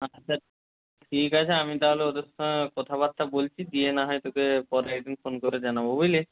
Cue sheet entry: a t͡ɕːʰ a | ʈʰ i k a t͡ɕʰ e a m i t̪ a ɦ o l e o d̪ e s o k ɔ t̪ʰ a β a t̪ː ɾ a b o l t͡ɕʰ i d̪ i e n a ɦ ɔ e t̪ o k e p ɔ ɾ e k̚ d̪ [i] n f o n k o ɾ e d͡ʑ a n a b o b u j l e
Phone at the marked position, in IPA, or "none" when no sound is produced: i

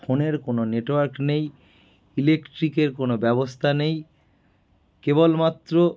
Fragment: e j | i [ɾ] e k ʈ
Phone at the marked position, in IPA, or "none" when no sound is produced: l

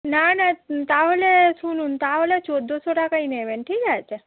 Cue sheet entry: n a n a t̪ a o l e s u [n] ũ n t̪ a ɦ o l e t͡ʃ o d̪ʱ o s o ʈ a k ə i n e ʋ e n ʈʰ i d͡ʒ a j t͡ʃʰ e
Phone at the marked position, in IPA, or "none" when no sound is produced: n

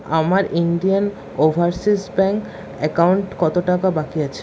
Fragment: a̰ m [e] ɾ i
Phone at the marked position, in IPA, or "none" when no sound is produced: a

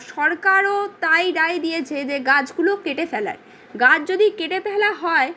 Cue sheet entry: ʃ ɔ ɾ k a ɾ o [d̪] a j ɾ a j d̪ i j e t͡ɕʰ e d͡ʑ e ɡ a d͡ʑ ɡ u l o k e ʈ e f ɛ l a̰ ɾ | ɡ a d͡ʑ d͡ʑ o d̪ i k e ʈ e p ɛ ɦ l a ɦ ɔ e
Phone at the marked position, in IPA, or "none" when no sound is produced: t̪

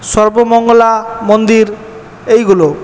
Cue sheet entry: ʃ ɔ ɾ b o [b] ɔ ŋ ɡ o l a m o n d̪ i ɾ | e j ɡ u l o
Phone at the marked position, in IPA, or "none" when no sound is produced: m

